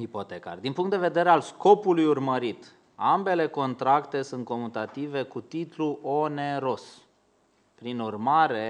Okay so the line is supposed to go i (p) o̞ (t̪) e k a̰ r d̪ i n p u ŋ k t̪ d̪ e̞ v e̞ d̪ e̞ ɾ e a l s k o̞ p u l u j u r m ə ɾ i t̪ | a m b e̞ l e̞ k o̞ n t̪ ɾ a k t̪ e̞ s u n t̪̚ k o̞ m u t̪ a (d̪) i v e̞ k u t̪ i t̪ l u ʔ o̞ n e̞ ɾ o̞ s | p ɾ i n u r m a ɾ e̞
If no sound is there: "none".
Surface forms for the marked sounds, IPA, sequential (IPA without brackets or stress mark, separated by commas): p, t̪, t̪